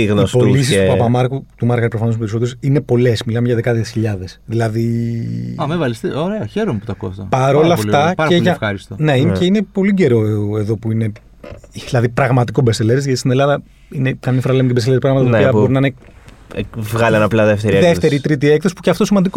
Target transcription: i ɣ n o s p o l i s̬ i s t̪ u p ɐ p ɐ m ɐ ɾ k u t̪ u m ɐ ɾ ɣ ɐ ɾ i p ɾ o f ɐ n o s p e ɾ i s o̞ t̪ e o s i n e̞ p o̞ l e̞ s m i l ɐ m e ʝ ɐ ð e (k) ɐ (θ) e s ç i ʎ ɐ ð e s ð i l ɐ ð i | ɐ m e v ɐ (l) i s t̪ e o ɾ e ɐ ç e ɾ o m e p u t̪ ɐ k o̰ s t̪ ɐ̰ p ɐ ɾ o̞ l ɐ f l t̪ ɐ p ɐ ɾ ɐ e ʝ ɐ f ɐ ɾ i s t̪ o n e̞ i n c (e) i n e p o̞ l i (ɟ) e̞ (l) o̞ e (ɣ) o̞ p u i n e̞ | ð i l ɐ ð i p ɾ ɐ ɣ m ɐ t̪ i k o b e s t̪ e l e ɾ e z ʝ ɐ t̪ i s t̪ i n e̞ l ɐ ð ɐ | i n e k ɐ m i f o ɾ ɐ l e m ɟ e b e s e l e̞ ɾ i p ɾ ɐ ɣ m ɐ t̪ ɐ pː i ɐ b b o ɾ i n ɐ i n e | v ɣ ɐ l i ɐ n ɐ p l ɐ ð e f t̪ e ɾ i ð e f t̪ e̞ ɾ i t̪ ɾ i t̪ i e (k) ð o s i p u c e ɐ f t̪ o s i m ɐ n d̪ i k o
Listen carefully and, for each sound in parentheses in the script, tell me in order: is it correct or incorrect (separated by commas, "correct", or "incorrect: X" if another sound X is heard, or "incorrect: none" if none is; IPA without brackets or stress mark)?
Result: correct, incorrect: ð, correct, correct, correct, incorrect: ɾ, incorrect: ð, correct